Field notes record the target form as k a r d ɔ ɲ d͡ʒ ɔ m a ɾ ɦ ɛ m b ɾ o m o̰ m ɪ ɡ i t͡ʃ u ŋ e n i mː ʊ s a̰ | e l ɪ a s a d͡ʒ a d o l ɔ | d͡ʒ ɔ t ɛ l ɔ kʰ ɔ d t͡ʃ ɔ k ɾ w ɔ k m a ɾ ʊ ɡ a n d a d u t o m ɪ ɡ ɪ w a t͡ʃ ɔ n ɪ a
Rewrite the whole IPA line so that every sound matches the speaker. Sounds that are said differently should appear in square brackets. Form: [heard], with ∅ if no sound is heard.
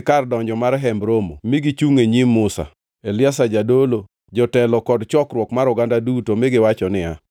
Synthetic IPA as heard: k a r d ɔ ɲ d͡ʒ ɔ m a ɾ ɦ ɛ m b ɾ o m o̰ m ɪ ɡ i t͡ʃ u ŋ e [ɲ] i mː ʊ s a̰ | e l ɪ a s a d͡ʒ a d o l [o] | d͡ʒ ɔ t ɛ l ɔ [k] ɔ d t͡ʃ ɔ k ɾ w ɔ k m a ɾ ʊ ɡ a n d a d u t o m ɪ ɡ ɪ w a t͡ʃ ɔ n ɪ a